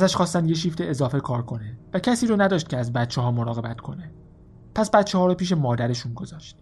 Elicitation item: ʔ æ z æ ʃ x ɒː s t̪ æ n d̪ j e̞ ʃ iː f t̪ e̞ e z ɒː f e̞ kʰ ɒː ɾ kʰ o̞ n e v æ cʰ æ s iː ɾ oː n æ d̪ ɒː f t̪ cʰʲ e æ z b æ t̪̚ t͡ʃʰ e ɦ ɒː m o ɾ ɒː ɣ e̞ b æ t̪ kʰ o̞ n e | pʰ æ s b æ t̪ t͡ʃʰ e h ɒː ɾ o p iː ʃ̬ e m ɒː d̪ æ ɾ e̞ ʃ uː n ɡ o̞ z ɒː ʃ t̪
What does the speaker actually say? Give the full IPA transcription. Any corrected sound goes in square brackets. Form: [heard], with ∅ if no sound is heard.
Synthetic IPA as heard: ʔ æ z æ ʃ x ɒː s t̪ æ n d̪ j e̞ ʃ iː f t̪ e̞ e z ɒː f e̞ kʰ ɒː ɾ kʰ o̞ n e v æ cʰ æ s iː ɾ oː n æ d̪ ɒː [ʃ] t̪ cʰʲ e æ z b æ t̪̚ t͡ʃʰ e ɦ ɒː m o ɾ ɒː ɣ e̞ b æ t̪ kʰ o̞ n e | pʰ æ s b æ t̪ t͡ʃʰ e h ɒː ɾ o p iː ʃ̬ e m ɒː d̪ æ ɾ e̞ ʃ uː n ɡ o̞ z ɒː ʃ t̪